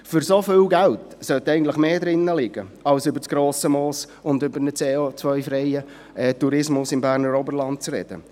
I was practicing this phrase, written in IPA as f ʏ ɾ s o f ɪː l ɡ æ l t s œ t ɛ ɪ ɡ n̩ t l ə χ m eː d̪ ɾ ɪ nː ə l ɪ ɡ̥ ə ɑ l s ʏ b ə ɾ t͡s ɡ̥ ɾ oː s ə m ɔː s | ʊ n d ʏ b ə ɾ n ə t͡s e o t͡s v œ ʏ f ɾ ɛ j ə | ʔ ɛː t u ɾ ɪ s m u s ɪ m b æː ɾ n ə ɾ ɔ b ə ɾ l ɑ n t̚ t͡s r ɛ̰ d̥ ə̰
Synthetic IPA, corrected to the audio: f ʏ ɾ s o f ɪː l ɡ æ l t s œ t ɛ ɪ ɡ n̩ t l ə χ m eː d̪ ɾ ɪ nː ə l ɪ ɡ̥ ə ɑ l s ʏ b ə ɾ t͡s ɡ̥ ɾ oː s ə m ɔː s | ʊ n d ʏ b ə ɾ n ə t͡s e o t͡s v œ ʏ f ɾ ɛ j ə | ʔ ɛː t u ɾ ɪ s m ʊ s ɪ m b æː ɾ n ə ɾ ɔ b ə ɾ l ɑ n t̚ t͡s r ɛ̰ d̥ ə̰